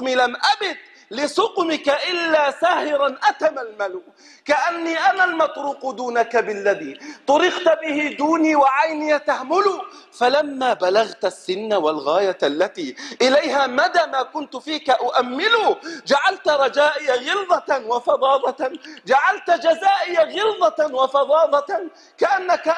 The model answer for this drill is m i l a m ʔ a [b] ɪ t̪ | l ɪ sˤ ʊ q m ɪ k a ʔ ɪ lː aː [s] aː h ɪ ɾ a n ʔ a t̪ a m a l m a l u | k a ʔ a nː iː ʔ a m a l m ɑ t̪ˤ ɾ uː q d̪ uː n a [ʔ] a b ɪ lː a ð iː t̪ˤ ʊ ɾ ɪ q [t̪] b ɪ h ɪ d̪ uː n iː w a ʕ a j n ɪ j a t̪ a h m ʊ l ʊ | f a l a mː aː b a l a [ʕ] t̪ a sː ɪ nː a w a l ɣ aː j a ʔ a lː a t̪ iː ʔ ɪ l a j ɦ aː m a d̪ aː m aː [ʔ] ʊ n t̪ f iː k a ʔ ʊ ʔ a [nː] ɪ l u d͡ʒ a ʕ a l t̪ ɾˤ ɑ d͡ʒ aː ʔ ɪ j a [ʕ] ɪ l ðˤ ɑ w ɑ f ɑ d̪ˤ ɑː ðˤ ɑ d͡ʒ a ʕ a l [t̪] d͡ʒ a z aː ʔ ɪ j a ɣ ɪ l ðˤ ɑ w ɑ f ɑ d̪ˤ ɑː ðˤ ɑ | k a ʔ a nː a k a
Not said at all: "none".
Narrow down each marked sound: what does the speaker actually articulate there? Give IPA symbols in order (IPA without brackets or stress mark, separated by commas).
b, s, k, t̪, ɣ, k, mː, ɣ, t̪